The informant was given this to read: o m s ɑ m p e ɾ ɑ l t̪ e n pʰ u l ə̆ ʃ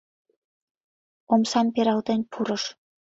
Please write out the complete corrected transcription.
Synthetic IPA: o m s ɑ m p e ɾ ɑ l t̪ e n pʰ u ɾ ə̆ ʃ